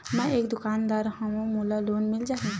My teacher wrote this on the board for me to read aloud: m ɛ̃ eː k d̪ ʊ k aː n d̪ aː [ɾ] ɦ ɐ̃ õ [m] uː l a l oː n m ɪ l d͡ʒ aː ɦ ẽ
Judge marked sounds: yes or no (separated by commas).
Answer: yes, yes